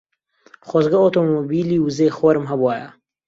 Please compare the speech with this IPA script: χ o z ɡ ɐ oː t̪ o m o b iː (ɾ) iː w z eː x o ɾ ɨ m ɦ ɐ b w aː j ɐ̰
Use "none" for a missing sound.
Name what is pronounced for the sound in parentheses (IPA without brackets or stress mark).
l